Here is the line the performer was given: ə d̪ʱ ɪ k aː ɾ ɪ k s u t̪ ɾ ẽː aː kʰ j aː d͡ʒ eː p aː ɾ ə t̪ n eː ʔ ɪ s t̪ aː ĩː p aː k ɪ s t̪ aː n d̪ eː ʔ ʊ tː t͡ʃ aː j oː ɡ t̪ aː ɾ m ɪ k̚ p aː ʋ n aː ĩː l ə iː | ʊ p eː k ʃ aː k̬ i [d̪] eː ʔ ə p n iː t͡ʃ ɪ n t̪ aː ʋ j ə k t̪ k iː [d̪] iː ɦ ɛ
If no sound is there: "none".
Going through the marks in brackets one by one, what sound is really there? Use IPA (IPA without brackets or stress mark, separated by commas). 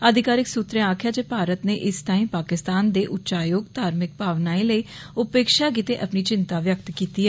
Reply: t̪, t̪